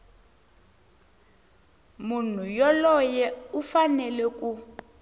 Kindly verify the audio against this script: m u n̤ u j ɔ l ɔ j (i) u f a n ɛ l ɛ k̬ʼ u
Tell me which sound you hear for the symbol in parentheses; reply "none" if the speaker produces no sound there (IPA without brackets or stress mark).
ɛ